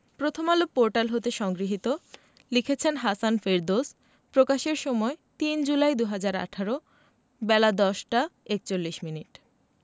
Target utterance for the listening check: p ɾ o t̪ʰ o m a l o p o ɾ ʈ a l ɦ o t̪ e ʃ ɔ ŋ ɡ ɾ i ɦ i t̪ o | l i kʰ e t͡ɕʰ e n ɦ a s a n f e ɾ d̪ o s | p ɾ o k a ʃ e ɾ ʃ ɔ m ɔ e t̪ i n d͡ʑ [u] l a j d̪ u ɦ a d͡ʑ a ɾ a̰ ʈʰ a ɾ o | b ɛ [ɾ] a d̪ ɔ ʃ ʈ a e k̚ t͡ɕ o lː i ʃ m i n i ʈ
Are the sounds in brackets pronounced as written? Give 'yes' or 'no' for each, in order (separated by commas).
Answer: yes, no